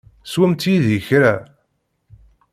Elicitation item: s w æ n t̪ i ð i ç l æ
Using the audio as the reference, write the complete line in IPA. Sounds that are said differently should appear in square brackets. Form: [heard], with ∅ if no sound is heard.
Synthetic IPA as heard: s w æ [m] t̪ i ð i ç [ɾ] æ